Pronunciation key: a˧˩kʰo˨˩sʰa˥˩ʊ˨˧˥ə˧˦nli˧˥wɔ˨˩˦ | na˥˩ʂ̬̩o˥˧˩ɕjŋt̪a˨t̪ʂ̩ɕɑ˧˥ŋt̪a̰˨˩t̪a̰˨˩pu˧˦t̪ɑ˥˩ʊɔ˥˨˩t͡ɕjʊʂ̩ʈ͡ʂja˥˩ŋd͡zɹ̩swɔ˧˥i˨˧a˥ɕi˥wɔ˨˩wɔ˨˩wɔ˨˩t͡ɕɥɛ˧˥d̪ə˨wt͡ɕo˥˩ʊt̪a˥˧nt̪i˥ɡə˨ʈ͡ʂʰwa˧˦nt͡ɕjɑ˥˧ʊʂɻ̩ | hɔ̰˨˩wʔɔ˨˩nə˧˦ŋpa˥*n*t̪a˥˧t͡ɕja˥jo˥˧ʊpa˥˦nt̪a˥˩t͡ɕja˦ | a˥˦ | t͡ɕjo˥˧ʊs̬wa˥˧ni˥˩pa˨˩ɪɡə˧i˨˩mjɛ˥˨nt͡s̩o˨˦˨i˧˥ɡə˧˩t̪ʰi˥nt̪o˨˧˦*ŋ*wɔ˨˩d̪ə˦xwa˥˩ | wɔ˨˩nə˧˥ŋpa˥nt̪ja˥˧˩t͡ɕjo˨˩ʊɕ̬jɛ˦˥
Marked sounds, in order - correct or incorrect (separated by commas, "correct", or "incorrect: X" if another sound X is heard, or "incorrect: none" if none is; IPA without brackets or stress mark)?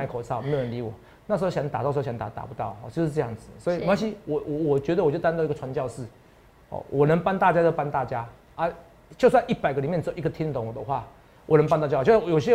correct, correct